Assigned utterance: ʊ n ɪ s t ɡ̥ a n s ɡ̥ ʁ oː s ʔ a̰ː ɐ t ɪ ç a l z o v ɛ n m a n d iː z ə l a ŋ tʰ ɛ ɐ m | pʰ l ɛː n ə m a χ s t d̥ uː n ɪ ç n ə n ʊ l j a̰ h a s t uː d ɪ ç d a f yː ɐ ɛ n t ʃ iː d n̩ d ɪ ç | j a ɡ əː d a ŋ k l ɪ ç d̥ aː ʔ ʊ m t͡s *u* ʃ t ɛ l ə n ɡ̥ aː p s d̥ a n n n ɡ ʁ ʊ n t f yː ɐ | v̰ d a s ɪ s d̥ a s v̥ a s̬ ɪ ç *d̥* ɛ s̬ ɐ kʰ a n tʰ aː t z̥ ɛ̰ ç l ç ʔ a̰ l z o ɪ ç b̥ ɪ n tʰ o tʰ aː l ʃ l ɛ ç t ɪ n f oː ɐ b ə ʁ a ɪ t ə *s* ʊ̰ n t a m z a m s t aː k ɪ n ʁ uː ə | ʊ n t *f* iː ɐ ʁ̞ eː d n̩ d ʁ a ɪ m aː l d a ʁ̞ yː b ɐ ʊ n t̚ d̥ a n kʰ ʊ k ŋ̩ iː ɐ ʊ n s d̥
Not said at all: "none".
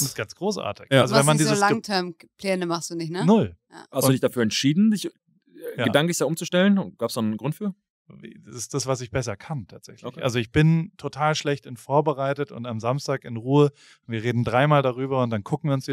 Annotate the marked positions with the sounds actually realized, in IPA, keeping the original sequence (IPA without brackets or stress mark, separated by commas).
u, b̥, t, v